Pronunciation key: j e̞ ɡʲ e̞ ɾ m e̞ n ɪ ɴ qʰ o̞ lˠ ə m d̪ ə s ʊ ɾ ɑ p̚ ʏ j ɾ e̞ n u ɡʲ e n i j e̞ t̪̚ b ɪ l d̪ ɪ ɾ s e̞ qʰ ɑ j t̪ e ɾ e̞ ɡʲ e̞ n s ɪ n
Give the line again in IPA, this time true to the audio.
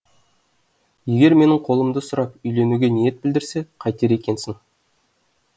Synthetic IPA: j e̞ ɡʲ e̞ ɾ m e̞ n ɪ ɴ qʰ o̞ lˠ ə m d̪ ə s ʊ ɾ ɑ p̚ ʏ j l e̞ n u ɡʲ e n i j e̞ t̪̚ b ɪ l d̪ ɪ ɾ s e̞ qʰ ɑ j t̪ e ɾ e̞ kʲ e̞ n s ɪ ŋ

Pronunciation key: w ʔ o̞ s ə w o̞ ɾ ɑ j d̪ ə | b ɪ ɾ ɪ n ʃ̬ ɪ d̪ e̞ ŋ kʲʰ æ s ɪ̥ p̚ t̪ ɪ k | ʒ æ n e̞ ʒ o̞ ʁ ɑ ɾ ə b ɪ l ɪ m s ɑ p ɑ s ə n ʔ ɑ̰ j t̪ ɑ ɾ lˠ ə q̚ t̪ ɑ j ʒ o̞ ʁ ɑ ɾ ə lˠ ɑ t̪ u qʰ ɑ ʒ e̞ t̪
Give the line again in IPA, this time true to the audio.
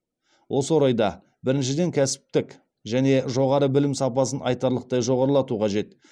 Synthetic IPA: w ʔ o̞ s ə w o̞ ɾ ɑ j d̪ ɑ | b ɪ ɾ ɪ n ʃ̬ ɪ d̪ e̞ ŋ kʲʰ æ s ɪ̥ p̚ t̪ ɪ k | ʒ æ n e̞ ʒ o̞ ʁ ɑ ɾ ə b ɪ l ɪ m s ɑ p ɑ s ə n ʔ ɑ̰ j t̪ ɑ ɾ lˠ ə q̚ t̪ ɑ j ʒ o̞ ʁ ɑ ɾ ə lˠ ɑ t̪ u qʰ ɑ ʒ e̞ t̪

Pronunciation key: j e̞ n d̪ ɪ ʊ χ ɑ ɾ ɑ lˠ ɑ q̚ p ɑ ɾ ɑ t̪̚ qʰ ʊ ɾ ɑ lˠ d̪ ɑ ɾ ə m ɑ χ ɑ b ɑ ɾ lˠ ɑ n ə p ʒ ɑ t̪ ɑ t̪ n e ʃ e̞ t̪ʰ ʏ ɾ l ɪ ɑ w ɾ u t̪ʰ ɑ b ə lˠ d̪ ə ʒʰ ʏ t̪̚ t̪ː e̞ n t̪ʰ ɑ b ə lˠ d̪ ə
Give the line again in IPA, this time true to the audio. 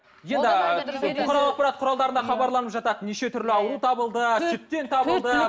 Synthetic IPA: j e̞ n d̪ ɪ ʊ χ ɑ ɾ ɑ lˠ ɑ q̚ p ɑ ɾ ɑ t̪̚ qʰ ʊ ɾ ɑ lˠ d̪ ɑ ɾ ə n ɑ χ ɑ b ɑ ɾ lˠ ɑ n ə p ʒ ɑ t̪ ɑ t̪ n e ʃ e̞ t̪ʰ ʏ ɾ l ɪ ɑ w ɾ u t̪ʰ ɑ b ə lˠ d̪ ə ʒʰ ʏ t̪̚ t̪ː e̞ n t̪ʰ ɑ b ə lˠ d̪ ə

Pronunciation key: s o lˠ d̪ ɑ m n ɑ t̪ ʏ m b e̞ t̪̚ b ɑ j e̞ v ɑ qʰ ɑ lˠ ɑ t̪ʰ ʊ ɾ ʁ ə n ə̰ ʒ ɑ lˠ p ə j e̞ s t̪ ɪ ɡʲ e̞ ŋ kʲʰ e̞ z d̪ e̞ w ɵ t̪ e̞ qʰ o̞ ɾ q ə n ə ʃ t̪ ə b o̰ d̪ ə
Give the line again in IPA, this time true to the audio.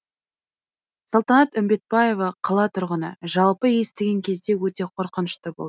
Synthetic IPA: s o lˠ t̪ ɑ n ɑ t̪ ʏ m b e̞ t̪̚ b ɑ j e̞ v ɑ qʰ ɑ lˠ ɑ t̪ʰ ʊ ɾ ʁ ə n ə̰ ʒ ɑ lˠ p ə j e̞ s t̪ ɪ ɡʲ e̞ ŋ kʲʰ e̞ z d̪ e̞ w ɵ t̪ e̞ qʰ o̞ ɾ q ə n ə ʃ t̪ ə b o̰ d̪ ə

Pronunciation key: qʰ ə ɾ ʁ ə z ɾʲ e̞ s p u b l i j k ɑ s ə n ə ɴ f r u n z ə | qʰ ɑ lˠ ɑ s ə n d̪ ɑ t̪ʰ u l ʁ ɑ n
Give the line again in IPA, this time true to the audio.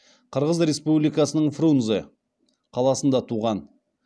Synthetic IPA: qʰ ə ɾ ʁ ə z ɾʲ e̞ s p u b l i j k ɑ s ə n ə ɴ f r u n z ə | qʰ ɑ lˠ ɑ s ə n d̪ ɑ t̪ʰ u ʁ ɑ n

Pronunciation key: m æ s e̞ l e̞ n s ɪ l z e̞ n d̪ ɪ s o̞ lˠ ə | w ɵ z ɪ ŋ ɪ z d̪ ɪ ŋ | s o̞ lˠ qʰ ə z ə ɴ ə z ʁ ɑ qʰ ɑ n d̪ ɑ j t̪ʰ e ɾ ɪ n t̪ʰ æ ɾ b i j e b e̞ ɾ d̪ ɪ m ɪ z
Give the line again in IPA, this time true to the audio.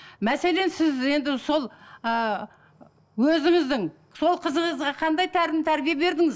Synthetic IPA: m æ s e̞ l e̞ n s ɪ z e̞ n d̪ ɪ s o̞ lˠ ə | w ɵ z ɪ ŋ ɪ z d̪ ɪ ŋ | s o̞ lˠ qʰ ə z ə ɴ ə z ʁ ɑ qʰ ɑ n d̪ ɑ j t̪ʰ æ ɾ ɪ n t̪ʰ æ ɾ b i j e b e̞ ɾ d̪ ɪ ŋ ɪ z

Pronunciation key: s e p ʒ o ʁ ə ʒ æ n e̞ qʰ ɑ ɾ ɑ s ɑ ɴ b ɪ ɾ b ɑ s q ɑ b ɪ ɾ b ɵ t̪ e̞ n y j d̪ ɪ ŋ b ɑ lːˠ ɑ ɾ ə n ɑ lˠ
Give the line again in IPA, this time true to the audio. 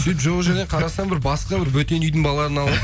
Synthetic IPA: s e p ʒ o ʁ ə ʒ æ n e̞ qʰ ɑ ɾ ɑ s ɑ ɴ b ɪ ɾ b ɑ s q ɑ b ɪ ɾ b ɵ t̪ e̞ n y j d̪ ɪ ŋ b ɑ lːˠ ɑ ɾ ə n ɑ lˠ

